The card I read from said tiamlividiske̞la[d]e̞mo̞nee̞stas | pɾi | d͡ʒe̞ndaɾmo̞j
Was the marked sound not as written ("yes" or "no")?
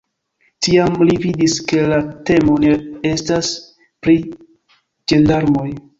yes